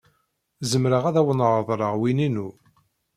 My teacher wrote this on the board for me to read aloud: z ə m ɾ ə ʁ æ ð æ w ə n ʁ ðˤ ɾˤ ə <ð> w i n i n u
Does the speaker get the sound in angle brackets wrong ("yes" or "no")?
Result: yes